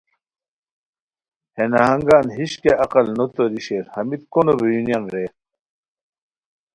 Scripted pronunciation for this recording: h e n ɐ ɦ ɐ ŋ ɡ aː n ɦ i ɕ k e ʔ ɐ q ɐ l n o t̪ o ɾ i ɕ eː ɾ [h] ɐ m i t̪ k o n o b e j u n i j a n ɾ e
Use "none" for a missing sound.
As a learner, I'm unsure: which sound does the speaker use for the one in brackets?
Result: h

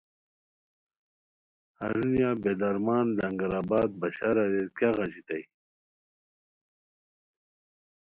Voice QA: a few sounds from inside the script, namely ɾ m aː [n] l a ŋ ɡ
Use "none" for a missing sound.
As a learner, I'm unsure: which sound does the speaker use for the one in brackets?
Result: n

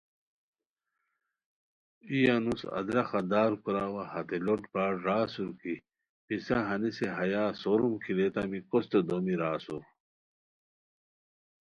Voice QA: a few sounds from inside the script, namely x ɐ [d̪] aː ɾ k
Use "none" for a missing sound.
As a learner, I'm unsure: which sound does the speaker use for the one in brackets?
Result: d̪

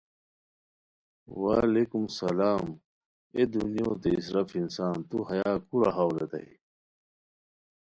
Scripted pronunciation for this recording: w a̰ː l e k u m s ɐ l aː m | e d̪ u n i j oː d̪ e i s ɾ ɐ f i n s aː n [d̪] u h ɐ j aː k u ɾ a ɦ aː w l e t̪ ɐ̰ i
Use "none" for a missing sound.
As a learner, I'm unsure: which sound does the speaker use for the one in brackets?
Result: t̪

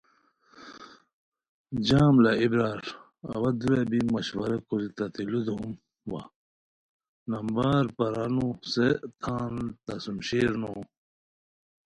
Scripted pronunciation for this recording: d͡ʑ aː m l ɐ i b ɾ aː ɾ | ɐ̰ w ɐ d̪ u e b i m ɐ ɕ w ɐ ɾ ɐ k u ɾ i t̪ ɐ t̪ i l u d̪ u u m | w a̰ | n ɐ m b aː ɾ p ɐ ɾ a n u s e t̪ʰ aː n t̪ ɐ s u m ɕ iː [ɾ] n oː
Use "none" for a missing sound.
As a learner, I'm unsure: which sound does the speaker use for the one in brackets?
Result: ɾ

